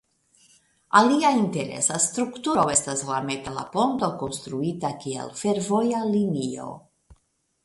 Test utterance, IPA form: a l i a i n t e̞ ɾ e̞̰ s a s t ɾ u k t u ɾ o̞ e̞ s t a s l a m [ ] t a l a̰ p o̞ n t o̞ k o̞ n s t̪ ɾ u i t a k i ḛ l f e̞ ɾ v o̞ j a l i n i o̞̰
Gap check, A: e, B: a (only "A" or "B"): A